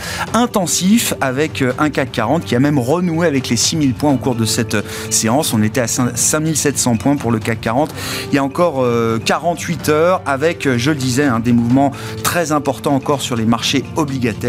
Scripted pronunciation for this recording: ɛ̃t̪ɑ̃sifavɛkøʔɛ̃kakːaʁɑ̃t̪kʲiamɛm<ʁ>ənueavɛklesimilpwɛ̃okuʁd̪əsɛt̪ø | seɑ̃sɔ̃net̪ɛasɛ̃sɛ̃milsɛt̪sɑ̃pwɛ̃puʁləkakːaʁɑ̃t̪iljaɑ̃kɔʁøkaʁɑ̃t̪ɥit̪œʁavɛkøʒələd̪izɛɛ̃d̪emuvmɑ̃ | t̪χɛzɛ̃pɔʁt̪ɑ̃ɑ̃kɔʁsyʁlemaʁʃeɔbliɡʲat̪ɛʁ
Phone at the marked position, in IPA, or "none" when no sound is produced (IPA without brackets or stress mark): ʁ